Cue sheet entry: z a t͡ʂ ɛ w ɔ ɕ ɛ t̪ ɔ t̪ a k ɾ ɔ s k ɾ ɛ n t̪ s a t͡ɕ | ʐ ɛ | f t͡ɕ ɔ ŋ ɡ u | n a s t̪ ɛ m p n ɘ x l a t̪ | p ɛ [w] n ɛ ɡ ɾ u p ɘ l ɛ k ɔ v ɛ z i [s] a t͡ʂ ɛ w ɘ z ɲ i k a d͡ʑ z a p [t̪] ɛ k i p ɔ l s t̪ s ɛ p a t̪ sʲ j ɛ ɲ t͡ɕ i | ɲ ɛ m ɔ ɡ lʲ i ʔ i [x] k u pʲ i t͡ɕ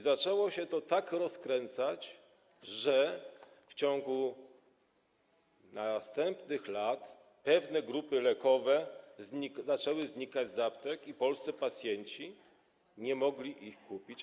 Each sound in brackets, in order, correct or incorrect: incorrect: v, incorrect: z, correct, correct

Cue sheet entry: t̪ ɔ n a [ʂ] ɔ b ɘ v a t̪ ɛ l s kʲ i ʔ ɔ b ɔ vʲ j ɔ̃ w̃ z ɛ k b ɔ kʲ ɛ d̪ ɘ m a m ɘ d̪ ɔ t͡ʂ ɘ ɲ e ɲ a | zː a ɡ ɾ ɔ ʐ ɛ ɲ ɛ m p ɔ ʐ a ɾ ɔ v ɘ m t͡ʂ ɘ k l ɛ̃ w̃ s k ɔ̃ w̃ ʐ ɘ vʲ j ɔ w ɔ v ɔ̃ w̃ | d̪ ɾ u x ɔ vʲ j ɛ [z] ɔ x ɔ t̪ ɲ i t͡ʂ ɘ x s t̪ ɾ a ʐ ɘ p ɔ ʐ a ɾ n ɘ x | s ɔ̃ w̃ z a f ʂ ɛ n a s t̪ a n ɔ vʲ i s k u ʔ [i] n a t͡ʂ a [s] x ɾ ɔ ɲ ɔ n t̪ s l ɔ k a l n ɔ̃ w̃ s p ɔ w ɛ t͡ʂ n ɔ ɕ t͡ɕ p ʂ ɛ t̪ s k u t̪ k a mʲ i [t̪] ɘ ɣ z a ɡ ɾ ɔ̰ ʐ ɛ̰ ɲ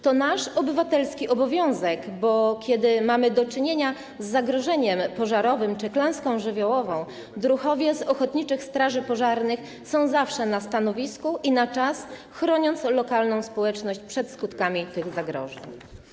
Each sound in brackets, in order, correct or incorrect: correct, correct, correct, correct, correct

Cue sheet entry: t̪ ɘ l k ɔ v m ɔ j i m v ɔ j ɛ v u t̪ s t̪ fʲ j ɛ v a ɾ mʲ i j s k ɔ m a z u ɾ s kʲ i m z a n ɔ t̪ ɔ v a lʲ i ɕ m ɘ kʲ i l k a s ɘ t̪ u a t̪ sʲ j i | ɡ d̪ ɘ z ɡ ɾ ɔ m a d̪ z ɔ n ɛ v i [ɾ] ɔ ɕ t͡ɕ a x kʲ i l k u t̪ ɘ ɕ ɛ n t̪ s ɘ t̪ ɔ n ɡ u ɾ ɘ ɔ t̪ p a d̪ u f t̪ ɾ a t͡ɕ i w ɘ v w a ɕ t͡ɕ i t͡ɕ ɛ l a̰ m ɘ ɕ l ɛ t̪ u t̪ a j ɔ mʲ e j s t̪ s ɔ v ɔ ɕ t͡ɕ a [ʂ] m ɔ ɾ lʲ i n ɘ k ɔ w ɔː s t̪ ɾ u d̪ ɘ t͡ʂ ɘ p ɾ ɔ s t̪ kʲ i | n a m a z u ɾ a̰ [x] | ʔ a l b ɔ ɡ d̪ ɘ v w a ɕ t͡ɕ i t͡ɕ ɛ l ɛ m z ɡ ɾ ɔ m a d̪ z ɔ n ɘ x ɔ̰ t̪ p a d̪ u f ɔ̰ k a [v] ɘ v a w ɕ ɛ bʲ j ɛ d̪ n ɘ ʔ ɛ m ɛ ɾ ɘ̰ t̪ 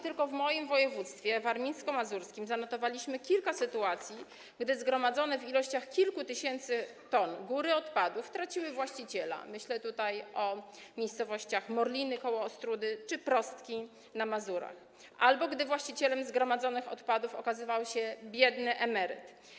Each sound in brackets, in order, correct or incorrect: incorrect: l, incorrect: x, correct, incorrect: z

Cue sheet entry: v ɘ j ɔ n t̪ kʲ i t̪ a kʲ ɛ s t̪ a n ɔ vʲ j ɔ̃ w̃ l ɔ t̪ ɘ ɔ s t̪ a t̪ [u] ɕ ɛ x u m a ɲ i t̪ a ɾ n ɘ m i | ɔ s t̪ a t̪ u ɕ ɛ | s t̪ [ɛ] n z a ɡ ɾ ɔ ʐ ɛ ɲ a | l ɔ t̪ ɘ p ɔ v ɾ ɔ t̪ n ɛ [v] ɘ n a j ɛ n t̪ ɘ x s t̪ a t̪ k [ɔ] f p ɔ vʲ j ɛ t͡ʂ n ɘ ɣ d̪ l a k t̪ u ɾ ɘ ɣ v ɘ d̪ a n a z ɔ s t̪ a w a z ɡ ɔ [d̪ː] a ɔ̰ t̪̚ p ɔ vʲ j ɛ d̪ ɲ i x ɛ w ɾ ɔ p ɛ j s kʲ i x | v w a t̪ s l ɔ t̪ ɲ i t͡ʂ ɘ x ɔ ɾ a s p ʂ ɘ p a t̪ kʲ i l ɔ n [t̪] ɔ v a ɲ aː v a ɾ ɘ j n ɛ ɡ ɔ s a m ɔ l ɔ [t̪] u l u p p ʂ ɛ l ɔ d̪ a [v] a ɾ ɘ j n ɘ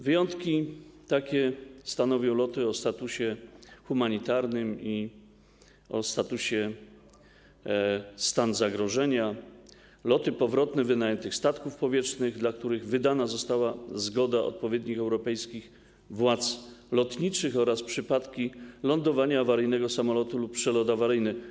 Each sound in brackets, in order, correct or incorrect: correct, incorrect: a, correct, incorrect: u, incorrect: d̪, incorrect: d̪, correct, correct

